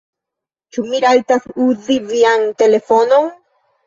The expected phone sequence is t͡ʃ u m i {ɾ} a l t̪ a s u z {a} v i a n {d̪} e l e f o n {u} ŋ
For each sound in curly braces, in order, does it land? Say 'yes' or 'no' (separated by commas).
yes, no, no, no